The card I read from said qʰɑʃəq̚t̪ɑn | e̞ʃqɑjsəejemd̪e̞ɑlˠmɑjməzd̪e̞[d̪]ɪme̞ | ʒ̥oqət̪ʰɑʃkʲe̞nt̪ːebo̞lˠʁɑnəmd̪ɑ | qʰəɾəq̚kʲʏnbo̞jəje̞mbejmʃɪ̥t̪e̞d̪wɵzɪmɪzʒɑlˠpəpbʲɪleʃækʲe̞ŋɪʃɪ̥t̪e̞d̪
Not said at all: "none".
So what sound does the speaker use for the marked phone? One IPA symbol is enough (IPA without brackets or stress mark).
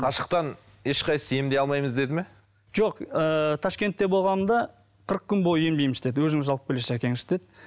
d̪